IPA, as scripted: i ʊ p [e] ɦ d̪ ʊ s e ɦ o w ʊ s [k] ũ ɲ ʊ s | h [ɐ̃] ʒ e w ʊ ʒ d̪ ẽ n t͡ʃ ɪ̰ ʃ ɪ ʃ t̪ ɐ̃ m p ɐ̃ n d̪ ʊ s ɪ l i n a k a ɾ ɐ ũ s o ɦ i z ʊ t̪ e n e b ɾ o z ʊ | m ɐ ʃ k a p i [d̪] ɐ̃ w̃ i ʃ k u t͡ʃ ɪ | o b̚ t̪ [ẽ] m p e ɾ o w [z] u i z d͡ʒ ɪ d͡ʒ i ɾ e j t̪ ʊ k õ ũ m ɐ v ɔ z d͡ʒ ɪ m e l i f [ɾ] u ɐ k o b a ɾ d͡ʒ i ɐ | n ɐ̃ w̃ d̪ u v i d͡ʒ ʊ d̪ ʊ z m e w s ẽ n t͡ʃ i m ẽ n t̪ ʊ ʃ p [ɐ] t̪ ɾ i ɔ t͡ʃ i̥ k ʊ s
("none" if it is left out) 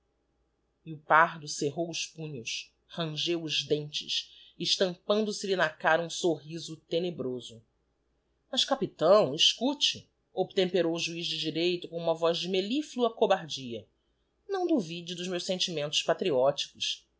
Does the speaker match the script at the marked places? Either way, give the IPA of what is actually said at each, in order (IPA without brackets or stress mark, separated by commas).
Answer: a, p, ɐ̃, t̪, ẽ, ʒ, l, a